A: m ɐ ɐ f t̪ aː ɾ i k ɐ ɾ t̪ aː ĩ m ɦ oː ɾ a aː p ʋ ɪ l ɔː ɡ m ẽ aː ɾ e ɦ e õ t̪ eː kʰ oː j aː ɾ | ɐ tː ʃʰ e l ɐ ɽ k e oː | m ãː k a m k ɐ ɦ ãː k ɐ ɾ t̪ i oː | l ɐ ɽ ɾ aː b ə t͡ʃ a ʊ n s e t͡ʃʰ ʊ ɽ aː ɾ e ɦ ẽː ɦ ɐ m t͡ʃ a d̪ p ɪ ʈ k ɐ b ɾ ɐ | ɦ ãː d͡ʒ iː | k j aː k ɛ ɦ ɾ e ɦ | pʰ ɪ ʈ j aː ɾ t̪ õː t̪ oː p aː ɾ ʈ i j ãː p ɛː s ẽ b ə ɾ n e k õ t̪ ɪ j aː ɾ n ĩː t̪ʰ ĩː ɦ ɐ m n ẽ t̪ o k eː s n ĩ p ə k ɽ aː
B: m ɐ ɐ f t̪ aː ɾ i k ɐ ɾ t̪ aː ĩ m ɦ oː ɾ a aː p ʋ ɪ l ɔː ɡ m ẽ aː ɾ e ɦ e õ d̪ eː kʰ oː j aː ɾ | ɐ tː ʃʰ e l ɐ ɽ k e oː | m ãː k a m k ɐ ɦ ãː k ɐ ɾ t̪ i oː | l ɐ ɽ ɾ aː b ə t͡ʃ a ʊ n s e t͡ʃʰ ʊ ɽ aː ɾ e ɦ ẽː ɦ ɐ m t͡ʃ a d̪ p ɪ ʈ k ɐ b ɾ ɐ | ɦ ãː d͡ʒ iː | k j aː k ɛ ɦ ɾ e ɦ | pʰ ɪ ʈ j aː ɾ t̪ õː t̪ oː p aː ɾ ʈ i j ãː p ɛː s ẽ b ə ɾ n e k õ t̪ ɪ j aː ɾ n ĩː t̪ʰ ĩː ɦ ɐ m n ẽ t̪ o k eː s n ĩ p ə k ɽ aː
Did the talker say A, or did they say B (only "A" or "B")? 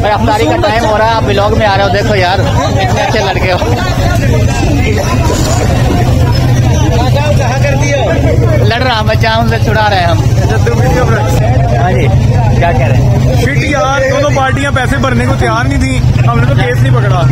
B